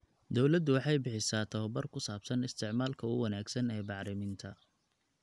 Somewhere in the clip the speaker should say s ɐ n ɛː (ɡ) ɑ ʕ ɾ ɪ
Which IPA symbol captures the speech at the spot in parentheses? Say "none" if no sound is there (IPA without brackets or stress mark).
b